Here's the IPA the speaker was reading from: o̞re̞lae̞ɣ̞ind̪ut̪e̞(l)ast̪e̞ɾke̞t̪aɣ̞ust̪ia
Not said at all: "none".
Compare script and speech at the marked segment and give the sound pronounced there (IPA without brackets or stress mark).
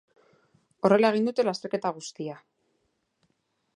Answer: l